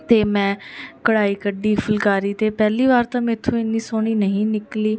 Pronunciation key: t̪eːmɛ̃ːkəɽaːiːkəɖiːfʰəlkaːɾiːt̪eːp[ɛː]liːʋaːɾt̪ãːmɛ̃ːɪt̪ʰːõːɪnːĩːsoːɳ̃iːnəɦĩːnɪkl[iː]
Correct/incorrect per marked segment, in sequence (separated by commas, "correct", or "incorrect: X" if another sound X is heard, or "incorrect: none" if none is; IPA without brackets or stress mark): correct, correct